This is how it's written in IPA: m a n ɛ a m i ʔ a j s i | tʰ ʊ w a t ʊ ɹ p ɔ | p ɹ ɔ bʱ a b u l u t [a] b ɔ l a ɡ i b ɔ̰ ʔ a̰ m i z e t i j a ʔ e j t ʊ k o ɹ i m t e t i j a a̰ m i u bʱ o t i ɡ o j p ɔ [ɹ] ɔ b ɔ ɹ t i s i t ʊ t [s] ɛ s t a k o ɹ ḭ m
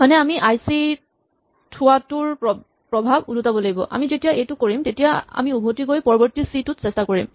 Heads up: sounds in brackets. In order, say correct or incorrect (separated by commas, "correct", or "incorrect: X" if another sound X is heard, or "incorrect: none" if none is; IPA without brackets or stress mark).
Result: correct, correct, correct